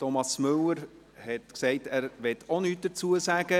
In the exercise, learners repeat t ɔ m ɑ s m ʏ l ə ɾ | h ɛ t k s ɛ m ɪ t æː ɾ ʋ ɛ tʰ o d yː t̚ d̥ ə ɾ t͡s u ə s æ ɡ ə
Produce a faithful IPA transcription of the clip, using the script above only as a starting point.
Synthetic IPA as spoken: t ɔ m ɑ s m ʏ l ə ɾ | h ɛ t k s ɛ ɪ t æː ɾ ʋ ɛ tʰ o n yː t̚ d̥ ə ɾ t͡s u ə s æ ɡ ə